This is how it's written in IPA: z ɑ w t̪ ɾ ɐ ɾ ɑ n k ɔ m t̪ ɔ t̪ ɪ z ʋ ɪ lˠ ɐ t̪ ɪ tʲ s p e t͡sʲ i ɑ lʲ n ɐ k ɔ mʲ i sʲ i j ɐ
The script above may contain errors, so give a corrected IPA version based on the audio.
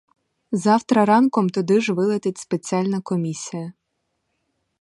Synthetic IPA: z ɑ w t̪ ɾ ɐ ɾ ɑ n k ɔ m t̪ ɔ d̪ ɪ ʒ ʋ ɪ lˠ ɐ t̪ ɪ tʲ s p e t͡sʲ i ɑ lʲ n ɐ k ɔ mʲ i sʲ i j ɐ